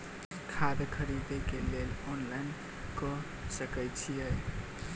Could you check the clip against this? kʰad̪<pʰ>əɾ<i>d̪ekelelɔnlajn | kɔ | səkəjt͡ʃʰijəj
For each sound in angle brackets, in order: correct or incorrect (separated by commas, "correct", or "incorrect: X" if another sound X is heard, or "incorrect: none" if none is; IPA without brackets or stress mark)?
incorrect: kʰ, correct